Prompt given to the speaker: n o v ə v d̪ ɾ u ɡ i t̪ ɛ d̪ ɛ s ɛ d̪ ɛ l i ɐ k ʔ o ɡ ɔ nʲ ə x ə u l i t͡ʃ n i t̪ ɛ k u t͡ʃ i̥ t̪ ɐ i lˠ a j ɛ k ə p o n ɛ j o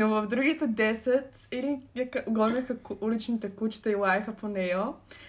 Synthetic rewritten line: n o v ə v d̪ ɾ u ɡ i t̪ ɛ d̪ ɛ s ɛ t̪ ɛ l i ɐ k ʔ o ɡ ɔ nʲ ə x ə u l i t͡ʃ n i t̪ ɛ k u t͡ʃ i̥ t̪ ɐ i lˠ a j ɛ x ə p o n ɛ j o